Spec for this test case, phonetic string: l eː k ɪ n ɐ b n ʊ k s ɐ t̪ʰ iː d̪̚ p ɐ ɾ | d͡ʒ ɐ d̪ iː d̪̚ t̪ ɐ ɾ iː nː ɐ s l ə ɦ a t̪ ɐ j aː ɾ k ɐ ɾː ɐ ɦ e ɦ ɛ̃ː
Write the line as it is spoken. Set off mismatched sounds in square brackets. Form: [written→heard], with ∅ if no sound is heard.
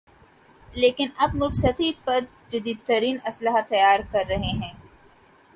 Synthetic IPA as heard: l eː k ɪ n ɐ b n ʊ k s ɐ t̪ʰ iː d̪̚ p ɐ ɾ | d͡ʒ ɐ d̪ iː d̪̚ t̪ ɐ ɾ iː [nː→n] ɐ s l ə ɦ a t̪ ɐ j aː ɾ k ɐ ɾː ɐ ɦ e ɦ ɛ̃ː

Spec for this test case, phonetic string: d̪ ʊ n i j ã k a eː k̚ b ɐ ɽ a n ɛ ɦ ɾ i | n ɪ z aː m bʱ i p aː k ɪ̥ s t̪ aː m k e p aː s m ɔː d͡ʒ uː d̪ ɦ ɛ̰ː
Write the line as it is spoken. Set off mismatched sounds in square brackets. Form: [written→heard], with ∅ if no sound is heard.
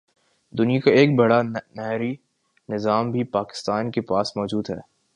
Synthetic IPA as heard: d̪ ʊ n i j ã k a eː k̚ b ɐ ɽ a n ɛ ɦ ɾ i | n ɪ z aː m bʱ i p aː k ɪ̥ s t̪ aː [m→n] k e p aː s m ɔː d͡ʒ uː d̪ ɦ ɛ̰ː

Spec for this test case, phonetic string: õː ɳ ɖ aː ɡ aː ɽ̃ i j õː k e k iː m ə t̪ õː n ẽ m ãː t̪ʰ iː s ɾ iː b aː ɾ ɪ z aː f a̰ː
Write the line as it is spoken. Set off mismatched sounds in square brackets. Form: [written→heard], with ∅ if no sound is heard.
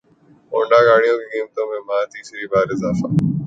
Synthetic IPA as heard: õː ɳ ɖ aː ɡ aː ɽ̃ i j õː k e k iː m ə t̪ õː [n→m] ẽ m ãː [t̪ʰ→t̪] iː s ɾ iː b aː ɾ ɪ z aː f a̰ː

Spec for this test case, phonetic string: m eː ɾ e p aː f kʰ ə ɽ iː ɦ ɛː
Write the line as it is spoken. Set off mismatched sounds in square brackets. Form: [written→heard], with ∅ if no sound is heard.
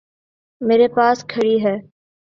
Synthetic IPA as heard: m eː ɾ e p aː [f→s] kʰ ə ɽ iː ɦ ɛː

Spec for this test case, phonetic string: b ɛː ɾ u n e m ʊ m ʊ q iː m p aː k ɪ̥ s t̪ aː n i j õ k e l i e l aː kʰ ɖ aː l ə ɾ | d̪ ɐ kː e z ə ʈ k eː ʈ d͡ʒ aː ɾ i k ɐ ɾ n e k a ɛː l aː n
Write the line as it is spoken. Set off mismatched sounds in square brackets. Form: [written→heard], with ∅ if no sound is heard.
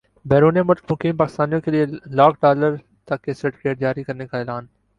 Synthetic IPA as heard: b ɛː ɾ [u→uː] n e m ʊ m ʊ [q→k] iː m p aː k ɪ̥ s t̪ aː n i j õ k e l i e l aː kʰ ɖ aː l ə ɾ | [d̪→t̪] ɐ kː e [z→s] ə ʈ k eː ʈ d͡ʒ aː ɾ i k ɐ ɾ n e k a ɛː l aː n

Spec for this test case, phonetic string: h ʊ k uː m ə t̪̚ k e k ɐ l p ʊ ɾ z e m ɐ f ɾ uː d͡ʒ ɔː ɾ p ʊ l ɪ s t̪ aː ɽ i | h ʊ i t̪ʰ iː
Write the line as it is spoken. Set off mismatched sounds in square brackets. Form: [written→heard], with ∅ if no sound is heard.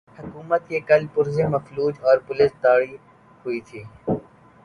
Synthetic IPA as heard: h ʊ k uː m ə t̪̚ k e k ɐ l p ʊ ɾ z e m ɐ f [ɾ→l] uː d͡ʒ ɔː ɾ p ʊ l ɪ s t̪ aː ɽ i | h ʊ i t̪ʰ iː

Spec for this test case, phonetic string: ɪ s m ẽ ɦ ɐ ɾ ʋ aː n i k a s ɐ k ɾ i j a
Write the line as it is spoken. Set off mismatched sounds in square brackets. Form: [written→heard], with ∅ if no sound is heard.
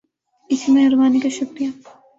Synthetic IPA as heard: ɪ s m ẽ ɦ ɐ ɾ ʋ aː n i k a [s→ʃ] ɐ k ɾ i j a

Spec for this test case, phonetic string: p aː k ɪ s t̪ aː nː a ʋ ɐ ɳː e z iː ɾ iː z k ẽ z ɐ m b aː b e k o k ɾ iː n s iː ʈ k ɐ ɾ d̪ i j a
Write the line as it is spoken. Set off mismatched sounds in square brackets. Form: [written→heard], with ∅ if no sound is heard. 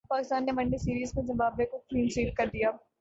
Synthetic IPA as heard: p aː k ɪ s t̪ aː nː [a→e] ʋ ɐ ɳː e [z→s] iː ɾ iː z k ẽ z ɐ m b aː b e k o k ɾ iː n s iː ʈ k ɐ ɾ d̪ i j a

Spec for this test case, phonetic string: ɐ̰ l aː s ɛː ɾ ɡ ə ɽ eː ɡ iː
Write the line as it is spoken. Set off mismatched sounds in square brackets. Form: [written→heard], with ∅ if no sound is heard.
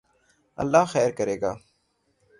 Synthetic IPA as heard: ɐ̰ [l→lː] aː [s→x] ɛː ɾ [ɡ→k] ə [ɽ→ɾ] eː ɡ [iː→aː]

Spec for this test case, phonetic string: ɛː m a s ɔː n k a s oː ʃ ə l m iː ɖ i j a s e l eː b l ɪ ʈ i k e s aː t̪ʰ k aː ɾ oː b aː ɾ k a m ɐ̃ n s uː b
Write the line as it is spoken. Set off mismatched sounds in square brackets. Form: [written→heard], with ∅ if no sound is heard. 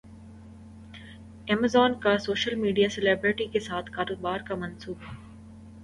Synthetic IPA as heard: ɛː m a [s→z] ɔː n k a s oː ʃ ə l m iː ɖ i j a s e l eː b [l→ɾ] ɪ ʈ i k e s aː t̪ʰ k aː ɾ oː b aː ɾ k a m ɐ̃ n s uː b

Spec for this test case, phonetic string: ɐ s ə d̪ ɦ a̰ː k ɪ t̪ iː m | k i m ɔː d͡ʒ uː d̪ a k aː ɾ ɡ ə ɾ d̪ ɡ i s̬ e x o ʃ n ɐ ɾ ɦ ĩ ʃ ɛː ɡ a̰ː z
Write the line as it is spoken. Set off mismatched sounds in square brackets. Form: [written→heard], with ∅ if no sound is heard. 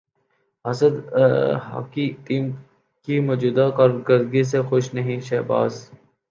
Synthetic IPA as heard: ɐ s ə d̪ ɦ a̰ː k [ɪ→i] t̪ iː m | k i m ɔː d͡ʒ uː d̪ a k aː ɾ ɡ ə ɾ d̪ ɡ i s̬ e x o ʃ n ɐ [ɾ→∅] ɦ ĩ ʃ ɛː [ɡ→b] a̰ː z

